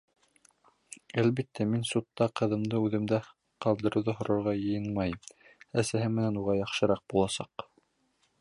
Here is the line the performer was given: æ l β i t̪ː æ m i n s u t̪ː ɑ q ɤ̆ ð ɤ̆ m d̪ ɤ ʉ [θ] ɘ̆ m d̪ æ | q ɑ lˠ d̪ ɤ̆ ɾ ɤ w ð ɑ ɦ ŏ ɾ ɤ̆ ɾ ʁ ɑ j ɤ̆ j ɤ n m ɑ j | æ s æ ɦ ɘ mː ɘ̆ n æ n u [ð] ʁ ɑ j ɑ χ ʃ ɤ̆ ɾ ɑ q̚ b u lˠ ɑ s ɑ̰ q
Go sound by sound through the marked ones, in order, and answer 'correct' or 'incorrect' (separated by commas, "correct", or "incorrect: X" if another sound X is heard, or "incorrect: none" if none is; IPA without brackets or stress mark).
incorrect: ð, incorrect: none